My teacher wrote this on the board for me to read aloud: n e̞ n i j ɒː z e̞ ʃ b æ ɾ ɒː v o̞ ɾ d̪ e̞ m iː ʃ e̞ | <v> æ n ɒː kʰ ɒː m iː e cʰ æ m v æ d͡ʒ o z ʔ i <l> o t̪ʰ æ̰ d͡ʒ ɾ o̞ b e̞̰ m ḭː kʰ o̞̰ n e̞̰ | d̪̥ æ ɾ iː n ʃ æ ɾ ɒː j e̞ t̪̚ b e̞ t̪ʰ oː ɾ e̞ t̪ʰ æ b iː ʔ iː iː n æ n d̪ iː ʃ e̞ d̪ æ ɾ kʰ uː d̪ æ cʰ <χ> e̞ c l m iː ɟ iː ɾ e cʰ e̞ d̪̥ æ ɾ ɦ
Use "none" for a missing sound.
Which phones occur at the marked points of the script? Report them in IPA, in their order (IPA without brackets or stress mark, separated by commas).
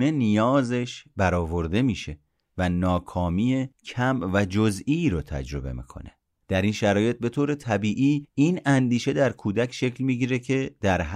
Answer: v, ɾ, ʃ